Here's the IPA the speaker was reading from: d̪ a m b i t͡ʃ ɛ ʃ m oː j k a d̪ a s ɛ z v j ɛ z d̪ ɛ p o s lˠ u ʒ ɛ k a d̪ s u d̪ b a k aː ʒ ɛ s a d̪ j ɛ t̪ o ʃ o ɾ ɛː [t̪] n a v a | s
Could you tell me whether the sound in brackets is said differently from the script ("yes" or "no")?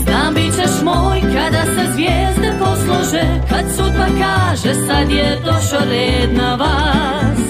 yes